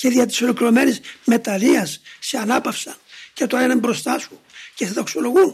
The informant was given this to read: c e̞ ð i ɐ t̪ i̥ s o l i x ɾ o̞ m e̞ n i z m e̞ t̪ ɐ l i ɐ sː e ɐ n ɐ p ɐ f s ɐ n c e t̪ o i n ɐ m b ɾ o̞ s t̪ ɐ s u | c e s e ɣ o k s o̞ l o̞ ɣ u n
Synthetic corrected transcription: c e̞ ð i ɐ t̪ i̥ s o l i k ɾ o̞ m e̞ n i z m e̞ t̪ ɐ l i ɐ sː e ɐ n ɐ p ɐ f s ɐ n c e t̪ o e n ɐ m b ɾ o̞ s t̪ ɐ s u | c e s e ð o k s o̞ l o̞ ɣ u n